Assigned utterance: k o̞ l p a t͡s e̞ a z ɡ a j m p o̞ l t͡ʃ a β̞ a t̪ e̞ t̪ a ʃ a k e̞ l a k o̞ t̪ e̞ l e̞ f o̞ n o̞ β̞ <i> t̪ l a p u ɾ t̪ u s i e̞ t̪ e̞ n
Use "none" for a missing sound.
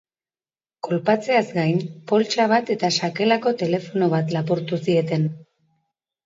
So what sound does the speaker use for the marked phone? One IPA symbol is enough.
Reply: a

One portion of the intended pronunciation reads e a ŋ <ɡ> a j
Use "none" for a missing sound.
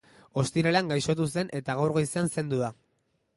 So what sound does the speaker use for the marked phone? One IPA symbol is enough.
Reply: ɡ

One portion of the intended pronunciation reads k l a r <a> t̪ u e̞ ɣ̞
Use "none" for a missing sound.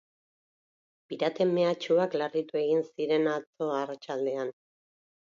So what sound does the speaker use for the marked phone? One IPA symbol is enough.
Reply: i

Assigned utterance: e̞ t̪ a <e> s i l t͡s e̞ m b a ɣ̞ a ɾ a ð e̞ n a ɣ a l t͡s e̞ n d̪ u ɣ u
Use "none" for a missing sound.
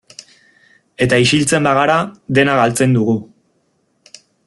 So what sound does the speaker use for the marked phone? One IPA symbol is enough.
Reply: i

